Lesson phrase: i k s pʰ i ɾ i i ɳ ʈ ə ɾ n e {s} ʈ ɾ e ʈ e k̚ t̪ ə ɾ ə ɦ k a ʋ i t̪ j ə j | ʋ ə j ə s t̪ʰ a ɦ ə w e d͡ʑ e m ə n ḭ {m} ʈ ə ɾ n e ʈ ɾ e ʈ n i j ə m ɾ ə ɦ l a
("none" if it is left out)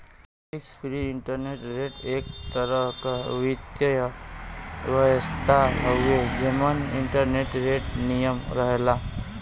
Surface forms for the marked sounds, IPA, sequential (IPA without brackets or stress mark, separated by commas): none, ɳ